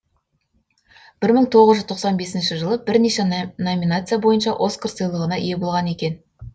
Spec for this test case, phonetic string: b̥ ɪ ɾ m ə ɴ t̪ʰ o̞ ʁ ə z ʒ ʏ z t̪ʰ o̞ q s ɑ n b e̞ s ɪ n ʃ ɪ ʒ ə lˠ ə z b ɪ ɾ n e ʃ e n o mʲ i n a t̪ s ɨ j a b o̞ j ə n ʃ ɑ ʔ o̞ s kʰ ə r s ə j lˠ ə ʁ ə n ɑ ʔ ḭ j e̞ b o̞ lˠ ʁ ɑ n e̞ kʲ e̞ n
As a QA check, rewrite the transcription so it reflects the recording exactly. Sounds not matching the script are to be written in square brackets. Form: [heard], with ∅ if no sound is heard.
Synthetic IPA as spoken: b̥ ɪ ɾ m ə ɴ t̪ʰ o̞ ʁ ə z ʒ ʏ z t̪ʰ o̞ q s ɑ n b e̞ s ɪ n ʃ ɪ ʒ ə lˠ ə [∅] b ɪ ɾ n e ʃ e n o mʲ i n a t̪ s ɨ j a b o̞ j ə n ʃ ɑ ʔ o̞ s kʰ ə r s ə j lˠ ə ʁ ə n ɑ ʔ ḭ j e̞ b o̞ lˠ ʁ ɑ n e̞ kʲ e̞ n

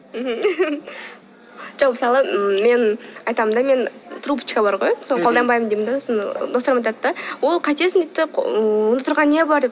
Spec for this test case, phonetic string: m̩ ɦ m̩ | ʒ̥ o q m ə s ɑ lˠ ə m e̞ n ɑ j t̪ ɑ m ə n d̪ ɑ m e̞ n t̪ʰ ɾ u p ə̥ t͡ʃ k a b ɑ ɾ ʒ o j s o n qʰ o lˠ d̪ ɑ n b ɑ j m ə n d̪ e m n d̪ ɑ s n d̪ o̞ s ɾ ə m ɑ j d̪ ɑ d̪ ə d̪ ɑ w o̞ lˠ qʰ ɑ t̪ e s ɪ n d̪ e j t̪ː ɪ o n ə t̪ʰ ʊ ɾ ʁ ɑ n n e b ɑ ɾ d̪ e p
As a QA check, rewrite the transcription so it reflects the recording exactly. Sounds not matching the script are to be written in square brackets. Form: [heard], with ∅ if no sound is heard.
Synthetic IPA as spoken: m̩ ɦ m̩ | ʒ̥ o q m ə s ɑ lˠ ə m e̞ n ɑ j t̪ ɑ m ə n d̪ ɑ m e̞ n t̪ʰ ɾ u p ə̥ t͡ʃ k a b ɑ ɾ [ʁ] o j s o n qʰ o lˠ d̪ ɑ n b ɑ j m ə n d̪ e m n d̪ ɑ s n d̪ o̞ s ɾ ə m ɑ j [t̪] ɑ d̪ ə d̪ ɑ w o̞ lˠ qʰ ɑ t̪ e s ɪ n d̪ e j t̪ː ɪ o n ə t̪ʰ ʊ ɾ ʁ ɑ n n e b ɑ ɾ d̪ e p

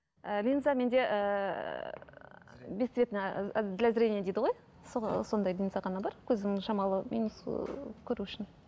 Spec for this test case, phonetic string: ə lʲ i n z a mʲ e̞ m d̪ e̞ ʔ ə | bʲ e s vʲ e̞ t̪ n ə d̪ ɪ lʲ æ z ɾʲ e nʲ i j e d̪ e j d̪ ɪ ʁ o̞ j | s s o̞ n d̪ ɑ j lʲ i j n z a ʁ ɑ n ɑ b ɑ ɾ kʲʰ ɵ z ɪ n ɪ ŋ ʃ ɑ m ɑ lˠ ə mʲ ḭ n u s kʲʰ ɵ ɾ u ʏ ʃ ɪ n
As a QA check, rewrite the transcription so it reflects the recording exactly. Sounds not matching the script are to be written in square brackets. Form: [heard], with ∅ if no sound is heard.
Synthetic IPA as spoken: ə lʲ i n z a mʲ e̞ [n] d̪ e̞ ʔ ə | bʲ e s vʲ e̞ t̪ n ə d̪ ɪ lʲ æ z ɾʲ e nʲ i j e d̪ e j d̪ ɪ ʁ o̞ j | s s o̞ n d̪ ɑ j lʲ i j n z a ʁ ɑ n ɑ b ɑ ɾ kʲʰ ɵ z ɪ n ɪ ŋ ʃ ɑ m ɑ lˠ ə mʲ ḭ n u s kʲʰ ɵ ɾ u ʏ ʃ ɪ n

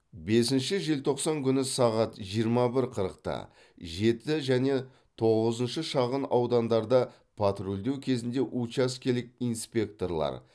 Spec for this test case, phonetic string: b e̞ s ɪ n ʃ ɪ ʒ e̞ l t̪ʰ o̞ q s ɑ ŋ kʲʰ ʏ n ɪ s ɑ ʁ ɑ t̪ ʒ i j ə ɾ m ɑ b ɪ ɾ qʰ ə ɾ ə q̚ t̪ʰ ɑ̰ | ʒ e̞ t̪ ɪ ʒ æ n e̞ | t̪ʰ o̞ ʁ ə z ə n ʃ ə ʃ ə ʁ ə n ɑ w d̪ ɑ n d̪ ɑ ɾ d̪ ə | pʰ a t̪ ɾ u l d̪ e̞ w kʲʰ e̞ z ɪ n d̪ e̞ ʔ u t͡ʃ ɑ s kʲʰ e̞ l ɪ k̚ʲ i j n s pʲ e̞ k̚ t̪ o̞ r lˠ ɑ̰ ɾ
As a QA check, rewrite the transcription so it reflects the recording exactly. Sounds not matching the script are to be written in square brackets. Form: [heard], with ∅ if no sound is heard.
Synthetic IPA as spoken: b e̞ s ɪ n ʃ ɪ ʒ e̞ l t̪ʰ o̞ q s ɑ ŋ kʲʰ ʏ n ɪ s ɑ ʁ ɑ t̪ ʒ i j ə ɾ m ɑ b ɪ ɾ qʰ ə ɾ ə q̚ [t̪] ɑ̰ | ʒ e̞ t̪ ɪ ʒ æ n e̞ | t̪ʰ o̞ ʁ ə z ə n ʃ ə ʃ [ɑ] ʁ ə n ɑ w d̪ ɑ n d̪ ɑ ɾ d̪ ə | pʰ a t̪ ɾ u l d̪ e̞ w kʲʰ e̞ z ɪ n d̪ e̞ ʔ u t͡ʃ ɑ s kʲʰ e̞ l ɪ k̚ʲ i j n s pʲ e̞ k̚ t̪ o̞ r lˠ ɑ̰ ɾ

